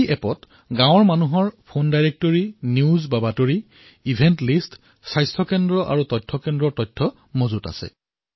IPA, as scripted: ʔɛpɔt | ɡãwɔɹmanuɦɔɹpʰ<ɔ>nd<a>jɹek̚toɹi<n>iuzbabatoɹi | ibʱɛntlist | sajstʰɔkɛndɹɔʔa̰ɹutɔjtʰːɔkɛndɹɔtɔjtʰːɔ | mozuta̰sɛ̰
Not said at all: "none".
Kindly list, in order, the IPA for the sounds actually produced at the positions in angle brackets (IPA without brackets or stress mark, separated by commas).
o, a, n